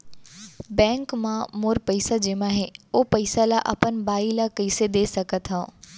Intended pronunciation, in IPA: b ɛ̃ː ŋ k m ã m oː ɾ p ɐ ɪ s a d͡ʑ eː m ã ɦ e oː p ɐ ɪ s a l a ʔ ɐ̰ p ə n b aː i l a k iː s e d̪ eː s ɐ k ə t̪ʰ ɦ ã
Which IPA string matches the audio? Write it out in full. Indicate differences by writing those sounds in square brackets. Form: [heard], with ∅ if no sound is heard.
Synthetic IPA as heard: b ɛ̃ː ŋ k m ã m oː ɾ p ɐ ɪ s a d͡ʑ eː m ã ɦ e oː p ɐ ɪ s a l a ʔ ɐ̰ p ə n b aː i l a k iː s e d̪ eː s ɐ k ə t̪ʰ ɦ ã